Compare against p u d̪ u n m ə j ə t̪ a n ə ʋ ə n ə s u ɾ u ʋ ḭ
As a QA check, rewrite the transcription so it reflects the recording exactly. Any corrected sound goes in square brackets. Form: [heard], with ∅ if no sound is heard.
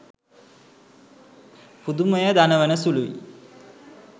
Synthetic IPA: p u d̪ u [∅] m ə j ə [d̪] a n ə ʋ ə n ə s u [l] u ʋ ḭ